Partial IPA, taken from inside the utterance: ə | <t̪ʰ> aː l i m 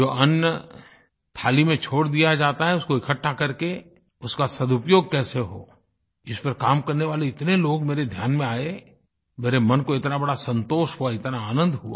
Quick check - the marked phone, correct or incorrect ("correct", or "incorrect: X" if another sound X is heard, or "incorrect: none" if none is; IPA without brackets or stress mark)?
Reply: correct